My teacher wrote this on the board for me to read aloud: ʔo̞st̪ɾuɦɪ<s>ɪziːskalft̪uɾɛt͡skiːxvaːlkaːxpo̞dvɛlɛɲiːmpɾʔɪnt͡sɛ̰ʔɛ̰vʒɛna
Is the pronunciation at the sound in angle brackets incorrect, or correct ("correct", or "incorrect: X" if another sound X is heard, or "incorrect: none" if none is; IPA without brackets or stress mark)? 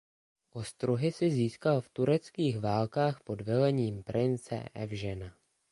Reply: correct